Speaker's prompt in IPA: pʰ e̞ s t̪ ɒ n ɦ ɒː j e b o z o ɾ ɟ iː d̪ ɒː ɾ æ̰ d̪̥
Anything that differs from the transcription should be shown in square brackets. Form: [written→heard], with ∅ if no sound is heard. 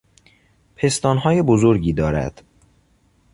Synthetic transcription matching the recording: pʰ e̞ s t̪ [ɒ→ɒː] n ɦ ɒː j e b o z o ɾ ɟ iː d̪ ɒː ɾ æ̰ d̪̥

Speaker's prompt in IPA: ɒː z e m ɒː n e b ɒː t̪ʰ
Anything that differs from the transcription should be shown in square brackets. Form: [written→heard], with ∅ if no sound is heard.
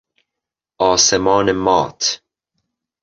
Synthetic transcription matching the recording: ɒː [z→s] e m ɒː n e [b→m] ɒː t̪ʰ

